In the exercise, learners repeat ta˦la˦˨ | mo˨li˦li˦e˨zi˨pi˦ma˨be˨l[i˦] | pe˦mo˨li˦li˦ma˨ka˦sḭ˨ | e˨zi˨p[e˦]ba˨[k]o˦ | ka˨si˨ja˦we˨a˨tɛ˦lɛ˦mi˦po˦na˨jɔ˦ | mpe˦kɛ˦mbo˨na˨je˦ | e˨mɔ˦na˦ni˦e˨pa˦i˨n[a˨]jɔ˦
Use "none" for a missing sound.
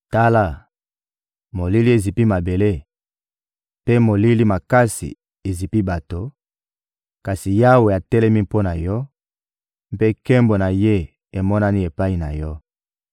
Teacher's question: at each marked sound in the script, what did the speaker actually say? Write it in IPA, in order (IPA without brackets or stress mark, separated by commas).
e˦, i˦, t, a˨